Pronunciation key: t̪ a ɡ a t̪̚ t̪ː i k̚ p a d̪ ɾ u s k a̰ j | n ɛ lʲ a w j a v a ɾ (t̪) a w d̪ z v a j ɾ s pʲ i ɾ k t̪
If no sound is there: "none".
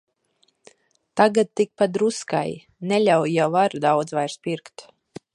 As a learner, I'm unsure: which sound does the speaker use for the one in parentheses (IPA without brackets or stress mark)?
d̪